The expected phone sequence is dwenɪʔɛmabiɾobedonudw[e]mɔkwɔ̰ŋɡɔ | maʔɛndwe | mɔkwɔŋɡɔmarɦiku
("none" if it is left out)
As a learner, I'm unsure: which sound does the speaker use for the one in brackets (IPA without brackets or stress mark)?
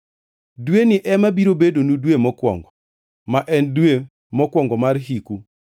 e